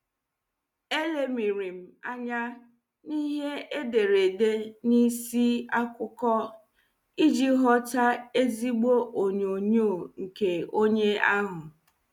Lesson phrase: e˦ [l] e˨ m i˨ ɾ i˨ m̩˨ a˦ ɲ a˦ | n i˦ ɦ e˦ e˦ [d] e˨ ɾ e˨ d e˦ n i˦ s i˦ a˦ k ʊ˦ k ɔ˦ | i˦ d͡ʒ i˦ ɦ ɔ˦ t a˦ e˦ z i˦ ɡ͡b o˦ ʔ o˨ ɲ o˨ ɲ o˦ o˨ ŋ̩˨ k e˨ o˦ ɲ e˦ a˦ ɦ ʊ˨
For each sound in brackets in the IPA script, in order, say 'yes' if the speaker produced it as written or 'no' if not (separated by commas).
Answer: yes, yes